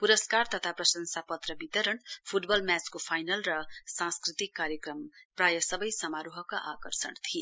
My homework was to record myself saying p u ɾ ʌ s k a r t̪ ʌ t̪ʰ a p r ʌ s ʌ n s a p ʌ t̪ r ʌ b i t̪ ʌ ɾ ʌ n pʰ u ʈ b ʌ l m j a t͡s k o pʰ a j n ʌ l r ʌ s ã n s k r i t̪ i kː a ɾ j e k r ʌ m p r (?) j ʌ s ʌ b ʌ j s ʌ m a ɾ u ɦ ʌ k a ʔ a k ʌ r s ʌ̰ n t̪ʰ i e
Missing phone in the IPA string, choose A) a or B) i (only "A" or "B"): A